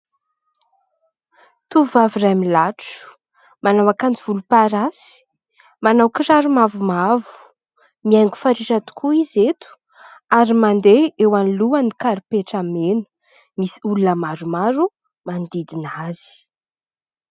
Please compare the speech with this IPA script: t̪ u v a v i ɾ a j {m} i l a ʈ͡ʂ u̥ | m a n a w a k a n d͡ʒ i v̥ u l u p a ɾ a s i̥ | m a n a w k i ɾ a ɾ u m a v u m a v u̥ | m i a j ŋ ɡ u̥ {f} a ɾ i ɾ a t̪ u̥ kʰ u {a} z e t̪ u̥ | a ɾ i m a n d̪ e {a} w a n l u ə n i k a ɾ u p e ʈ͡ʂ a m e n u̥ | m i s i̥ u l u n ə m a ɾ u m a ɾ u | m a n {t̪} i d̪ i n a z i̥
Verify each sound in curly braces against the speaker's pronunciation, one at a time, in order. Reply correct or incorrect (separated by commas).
correct, correct, incorrect, incorrect, incorrect